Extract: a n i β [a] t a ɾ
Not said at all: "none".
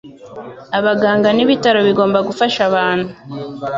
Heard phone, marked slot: i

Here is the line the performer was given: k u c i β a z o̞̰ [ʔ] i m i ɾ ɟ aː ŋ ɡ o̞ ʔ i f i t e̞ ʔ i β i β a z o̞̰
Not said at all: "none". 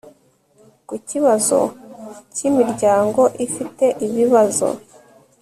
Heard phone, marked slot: c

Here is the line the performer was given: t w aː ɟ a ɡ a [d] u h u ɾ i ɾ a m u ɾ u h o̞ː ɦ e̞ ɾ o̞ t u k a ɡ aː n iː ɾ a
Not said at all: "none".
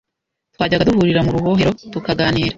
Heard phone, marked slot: d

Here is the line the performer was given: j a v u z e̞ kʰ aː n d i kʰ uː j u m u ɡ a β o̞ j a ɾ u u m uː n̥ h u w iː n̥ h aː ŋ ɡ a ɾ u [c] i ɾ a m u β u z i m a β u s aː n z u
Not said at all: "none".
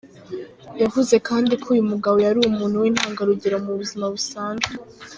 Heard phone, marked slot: ɟ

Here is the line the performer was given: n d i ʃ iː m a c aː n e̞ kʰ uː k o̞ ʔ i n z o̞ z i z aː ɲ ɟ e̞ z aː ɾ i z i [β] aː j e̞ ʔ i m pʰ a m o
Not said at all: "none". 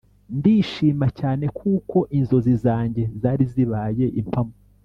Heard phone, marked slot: β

